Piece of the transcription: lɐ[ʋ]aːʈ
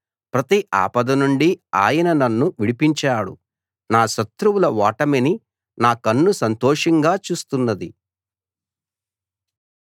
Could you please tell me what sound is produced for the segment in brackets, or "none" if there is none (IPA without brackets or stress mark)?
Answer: ʋ